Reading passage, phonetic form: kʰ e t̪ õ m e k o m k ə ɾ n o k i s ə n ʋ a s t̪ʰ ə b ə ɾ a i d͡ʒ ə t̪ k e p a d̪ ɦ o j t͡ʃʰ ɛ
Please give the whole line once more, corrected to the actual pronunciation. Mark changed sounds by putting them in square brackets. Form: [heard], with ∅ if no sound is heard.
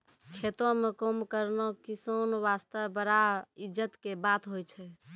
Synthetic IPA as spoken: kʰ e t̪ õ m e k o m k ə ɾ n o k i s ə n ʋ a s [t̪] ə b ə ɾ a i d͡ʒ ə t̪ k e [b] a [t̪] ɦ o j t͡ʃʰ ɛ